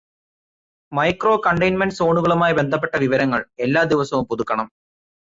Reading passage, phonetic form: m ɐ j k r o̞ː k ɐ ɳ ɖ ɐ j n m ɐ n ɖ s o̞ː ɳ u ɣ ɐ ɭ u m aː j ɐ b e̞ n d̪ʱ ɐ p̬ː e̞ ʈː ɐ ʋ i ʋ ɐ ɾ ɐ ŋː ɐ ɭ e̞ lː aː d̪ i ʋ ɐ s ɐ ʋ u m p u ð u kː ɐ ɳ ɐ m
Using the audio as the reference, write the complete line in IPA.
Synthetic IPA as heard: m ɐ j k r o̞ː k ɐ ɳ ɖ ɐ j n m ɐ n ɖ s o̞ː ɳ u ɣ ɐ ɭ u m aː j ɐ b e̞ n d̪ʱ ɐ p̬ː e̞ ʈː ɐ ʋ i ʋ ɐ ɾ ɐ ŋː ɐ ɭ e̞ lː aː d̪ i ʋ ɐ s ɐ ʋ u m p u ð u kː ɐ ɳ ɐ m